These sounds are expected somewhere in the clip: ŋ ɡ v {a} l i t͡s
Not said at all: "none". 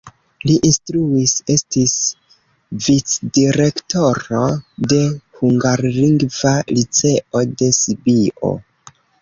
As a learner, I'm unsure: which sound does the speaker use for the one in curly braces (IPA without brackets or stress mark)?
a